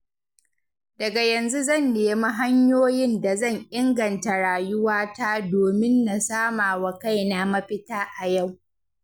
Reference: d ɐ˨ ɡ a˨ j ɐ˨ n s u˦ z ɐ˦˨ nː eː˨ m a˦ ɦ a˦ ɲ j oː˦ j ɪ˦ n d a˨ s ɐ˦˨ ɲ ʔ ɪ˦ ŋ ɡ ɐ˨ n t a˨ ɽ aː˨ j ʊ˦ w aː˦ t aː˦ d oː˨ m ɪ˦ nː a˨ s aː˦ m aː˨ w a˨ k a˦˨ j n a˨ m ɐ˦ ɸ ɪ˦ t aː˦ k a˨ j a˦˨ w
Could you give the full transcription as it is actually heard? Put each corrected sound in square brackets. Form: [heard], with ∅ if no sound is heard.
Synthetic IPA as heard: d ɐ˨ ɡ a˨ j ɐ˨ n [z] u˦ z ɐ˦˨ nː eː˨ m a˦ ɦ a˦ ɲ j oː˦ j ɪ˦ n d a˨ [z] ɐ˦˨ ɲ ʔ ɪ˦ ŋ ɡ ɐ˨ n t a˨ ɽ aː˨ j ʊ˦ w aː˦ t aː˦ d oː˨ m ɪ˦ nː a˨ s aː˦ m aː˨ w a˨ k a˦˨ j n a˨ m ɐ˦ ɸ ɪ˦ t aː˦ [ʔ] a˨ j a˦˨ w